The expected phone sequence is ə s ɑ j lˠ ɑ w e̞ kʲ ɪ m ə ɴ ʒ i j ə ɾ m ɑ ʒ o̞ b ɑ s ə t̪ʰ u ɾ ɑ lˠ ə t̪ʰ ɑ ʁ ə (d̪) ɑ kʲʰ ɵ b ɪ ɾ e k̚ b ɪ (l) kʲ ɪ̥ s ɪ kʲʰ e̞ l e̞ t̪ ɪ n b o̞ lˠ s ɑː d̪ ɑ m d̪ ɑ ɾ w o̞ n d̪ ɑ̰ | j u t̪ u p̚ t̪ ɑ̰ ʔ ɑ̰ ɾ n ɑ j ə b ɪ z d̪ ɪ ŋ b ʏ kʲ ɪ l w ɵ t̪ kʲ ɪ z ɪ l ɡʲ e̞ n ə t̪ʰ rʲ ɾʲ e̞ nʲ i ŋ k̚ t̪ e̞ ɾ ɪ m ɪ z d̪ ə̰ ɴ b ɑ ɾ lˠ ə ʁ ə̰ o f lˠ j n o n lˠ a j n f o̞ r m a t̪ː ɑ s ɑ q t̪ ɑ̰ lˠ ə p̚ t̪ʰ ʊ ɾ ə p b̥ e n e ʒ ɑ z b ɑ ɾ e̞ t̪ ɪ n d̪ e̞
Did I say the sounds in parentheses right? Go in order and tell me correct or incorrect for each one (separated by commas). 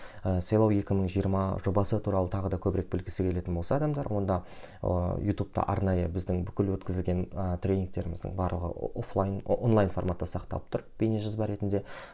correct, correct